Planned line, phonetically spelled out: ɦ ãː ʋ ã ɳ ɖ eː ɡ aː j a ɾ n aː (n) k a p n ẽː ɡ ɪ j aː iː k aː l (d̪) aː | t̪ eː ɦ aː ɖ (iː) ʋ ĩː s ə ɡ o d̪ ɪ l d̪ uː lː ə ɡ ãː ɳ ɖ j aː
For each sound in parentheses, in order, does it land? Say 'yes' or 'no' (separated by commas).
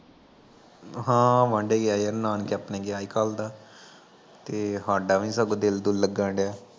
yes, yes, no